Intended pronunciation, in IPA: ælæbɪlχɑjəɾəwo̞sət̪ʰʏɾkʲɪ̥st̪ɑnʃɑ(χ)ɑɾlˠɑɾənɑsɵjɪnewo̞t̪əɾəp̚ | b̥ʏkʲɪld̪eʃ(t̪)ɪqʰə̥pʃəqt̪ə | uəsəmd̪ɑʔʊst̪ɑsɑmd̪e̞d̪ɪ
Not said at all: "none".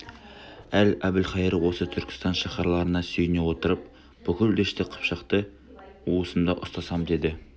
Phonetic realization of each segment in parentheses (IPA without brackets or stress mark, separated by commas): χ, t̪